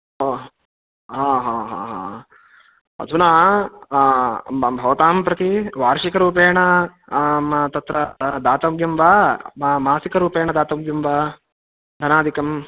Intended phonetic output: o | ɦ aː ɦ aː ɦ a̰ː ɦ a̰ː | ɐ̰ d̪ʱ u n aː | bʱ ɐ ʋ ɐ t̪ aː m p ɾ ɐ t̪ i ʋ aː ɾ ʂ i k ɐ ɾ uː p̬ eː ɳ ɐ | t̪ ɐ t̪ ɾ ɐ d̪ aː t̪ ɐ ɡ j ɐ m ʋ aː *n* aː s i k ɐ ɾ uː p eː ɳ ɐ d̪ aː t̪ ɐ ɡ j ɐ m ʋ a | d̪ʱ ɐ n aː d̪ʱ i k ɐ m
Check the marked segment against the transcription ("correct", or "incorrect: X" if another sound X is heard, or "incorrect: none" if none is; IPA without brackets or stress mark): incorrect: m